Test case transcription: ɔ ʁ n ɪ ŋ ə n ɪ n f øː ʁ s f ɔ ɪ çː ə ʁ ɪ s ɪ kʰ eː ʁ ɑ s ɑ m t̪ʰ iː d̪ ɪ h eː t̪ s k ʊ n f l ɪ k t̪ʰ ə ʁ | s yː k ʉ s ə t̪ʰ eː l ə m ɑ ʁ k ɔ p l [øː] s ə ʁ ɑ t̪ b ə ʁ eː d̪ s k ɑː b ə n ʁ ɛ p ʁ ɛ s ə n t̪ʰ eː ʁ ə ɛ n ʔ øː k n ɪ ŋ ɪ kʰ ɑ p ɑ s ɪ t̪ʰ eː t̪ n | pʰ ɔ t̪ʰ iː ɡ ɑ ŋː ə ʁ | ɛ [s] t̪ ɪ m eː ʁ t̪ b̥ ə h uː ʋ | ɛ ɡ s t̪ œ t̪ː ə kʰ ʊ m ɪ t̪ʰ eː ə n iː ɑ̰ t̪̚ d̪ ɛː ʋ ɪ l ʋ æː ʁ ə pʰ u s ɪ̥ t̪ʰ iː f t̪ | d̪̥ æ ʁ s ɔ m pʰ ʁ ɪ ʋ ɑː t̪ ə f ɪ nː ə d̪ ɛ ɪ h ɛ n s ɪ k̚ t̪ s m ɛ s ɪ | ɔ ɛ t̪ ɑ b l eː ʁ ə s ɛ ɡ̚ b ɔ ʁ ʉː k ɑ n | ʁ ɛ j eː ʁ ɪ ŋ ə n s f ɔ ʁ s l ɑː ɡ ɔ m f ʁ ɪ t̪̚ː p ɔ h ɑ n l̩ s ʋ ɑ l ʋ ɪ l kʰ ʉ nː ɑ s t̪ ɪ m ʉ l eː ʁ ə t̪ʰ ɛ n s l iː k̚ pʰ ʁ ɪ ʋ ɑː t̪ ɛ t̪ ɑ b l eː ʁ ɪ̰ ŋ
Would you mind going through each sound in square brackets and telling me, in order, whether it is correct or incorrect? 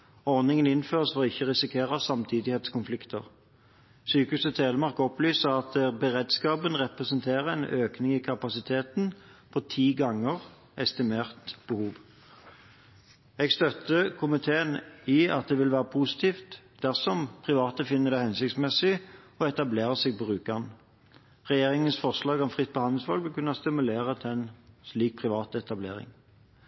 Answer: incorrect: yː, correct

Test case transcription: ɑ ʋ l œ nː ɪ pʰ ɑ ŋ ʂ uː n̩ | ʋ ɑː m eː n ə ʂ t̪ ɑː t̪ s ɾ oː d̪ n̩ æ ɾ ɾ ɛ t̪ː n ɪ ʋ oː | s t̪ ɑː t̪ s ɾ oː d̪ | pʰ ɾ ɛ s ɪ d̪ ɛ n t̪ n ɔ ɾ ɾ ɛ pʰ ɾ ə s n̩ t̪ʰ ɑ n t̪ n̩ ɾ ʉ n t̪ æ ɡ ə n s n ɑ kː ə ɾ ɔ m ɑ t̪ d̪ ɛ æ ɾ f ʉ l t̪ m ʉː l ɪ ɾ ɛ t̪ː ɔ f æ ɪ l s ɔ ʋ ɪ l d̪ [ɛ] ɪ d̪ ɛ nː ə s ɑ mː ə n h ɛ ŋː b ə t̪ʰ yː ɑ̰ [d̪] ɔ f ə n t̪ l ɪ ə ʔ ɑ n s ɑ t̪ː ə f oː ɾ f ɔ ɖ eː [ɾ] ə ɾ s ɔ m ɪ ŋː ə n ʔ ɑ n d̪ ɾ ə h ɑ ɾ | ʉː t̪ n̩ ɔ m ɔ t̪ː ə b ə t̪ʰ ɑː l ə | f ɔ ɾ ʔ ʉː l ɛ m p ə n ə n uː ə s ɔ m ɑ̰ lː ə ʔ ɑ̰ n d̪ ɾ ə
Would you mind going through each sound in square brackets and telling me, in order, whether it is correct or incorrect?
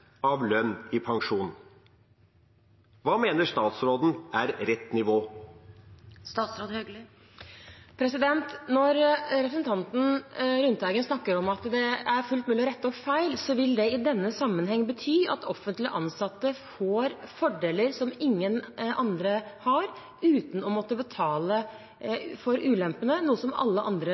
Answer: correct, incorrect: t̪, incorrect: l

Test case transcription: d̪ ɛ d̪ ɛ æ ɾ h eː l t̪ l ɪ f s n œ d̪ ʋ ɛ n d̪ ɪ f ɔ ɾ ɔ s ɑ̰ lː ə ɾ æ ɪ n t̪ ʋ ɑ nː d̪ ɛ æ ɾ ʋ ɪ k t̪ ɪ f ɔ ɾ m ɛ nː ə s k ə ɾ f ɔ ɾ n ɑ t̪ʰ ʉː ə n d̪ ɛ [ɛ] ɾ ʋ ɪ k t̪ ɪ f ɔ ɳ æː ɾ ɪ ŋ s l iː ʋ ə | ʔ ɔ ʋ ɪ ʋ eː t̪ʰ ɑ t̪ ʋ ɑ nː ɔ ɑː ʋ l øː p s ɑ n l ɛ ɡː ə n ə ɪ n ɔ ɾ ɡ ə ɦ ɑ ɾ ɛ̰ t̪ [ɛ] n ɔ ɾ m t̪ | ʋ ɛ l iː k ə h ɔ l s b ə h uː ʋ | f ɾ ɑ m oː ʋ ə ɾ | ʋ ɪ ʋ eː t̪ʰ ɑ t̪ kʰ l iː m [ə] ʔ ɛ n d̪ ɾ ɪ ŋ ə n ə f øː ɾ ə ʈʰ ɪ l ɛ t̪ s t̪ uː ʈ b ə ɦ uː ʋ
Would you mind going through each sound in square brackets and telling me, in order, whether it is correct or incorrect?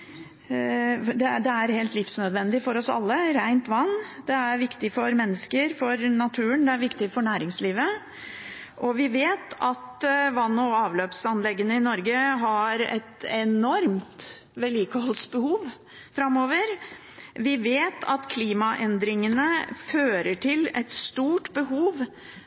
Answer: incorrect: æ, correct, incorrect: ɑ

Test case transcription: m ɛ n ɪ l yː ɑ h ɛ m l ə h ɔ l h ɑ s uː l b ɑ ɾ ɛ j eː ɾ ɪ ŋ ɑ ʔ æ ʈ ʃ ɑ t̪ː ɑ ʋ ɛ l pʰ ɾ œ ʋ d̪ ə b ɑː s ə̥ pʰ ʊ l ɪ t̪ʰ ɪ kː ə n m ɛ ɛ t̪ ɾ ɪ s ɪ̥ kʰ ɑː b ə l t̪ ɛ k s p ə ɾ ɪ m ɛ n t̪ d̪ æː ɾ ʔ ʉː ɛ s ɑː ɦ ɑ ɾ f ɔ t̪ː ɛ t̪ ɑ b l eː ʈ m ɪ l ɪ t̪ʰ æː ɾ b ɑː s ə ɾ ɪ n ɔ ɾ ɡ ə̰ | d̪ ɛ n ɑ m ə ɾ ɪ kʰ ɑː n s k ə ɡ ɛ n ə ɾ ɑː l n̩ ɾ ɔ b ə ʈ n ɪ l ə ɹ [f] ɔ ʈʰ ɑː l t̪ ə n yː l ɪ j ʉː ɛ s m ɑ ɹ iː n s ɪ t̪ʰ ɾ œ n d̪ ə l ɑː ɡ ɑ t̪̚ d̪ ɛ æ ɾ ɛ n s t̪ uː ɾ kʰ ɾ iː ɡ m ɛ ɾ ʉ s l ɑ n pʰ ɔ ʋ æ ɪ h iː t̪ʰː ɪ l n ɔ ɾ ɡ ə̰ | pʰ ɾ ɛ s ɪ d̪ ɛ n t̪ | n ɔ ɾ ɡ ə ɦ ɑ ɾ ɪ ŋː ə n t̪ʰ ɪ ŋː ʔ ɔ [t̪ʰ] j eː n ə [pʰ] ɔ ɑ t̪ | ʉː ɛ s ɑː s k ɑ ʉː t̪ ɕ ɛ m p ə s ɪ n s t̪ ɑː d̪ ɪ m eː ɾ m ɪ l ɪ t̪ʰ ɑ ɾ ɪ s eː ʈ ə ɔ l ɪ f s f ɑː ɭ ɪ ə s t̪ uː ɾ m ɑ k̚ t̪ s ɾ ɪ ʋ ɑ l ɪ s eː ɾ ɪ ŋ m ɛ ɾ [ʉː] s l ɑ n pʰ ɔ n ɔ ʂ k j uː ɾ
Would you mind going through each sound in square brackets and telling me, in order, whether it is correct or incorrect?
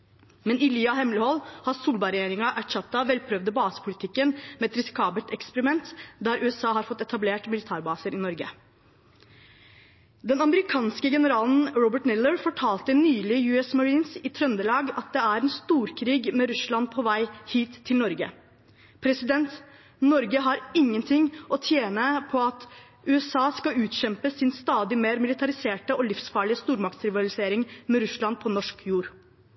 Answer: correct, correct, correct, incorrect: ʉ

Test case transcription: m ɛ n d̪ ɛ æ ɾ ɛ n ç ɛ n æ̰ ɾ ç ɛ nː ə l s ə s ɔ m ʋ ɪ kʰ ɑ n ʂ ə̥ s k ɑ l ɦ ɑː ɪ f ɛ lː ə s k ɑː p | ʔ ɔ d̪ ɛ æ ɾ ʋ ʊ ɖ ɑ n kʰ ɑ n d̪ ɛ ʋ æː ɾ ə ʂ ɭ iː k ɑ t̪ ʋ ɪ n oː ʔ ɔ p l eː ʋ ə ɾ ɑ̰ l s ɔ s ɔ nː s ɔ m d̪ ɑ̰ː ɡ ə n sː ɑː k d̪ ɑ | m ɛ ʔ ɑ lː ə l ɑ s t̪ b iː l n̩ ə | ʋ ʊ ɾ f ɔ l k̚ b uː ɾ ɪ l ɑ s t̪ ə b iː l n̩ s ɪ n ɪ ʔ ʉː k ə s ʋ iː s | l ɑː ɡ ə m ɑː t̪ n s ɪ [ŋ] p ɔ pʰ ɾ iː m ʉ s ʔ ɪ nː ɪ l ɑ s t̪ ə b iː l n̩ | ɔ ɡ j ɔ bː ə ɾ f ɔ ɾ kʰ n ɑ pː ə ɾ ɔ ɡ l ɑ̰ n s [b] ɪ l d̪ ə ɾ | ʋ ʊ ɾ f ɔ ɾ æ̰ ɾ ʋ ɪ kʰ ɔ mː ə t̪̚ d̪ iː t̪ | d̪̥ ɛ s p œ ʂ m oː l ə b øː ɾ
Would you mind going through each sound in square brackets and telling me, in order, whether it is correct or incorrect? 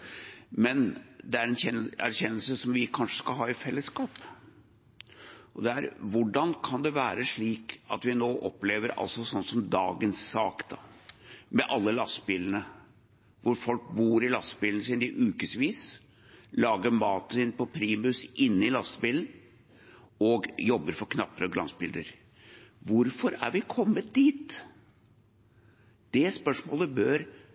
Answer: incorrect: n, correct

